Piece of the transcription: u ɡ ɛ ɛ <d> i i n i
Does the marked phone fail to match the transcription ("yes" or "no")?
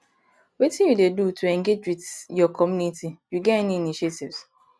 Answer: yes